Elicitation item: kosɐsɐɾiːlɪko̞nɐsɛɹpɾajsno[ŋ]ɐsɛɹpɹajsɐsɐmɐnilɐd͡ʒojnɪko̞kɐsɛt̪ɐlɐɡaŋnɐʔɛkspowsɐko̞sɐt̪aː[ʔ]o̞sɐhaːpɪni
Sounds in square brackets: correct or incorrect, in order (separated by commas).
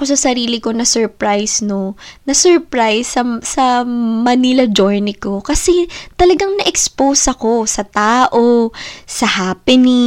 incorrect, correct